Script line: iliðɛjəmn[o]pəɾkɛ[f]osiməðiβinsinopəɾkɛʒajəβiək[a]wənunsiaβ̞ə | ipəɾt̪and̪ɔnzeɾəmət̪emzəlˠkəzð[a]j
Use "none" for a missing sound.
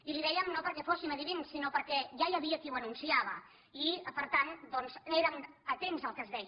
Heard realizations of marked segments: o, f, i, ɛ

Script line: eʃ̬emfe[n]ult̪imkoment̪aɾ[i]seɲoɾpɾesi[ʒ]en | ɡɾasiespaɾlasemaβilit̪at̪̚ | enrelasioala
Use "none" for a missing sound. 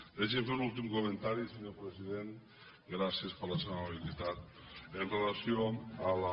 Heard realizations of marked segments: n, i, ð

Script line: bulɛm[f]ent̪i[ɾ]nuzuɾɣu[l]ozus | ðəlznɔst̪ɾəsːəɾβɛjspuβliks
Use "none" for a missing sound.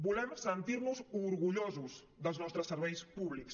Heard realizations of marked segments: s, ɾ, ʎ

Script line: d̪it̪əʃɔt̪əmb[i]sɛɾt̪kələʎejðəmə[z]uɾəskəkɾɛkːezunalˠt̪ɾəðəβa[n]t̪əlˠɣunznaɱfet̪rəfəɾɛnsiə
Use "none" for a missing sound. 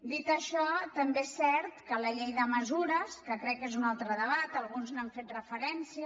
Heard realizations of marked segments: e, z, none

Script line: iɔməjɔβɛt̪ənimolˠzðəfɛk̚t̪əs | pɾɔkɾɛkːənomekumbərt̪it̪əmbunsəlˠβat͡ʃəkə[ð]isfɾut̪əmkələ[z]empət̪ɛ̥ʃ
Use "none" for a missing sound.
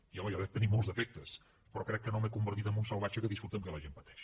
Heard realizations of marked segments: ð, ʒ

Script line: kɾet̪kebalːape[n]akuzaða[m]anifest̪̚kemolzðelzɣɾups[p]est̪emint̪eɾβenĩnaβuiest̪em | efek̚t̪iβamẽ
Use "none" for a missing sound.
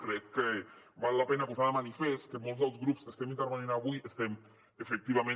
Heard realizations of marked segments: n, m, k

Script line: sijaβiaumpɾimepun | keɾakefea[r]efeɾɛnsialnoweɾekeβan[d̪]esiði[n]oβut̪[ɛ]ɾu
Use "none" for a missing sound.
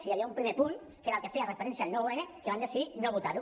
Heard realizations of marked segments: r, d̪, n, a

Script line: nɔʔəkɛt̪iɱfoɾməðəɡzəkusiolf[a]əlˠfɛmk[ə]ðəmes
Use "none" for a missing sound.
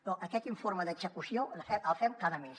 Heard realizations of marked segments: ɛ, a

